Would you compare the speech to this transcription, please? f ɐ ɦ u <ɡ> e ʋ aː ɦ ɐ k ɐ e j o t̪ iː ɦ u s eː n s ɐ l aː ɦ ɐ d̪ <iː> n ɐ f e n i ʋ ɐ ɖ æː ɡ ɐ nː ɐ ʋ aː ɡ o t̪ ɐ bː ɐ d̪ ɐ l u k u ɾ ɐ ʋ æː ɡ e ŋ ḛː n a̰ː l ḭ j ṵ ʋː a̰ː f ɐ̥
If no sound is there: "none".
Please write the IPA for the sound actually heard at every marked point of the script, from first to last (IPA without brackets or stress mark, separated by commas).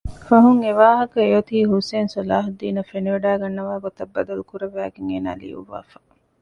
ŋ, iː